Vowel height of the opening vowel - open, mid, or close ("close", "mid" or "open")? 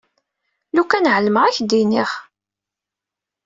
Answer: close